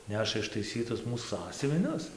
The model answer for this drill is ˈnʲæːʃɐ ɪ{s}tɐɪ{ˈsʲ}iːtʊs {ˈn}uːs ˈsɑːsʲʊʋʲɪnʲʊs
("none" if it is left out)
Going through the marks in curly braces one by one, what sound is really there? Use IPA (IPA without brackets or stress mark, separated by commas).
ʃ, sʲ, m